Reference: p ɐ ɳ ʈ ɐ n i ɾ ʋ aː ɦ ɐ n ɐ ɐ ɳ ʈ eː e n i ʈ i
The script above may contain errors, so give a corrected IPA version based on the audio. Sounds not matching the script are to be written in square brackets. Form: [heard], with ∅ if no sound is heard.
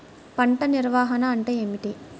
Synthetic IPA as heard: p ɐ ɳ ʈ ɐ n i ɾ ʋ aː ɦ ɐ n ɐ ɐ ɳ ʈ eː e [m] i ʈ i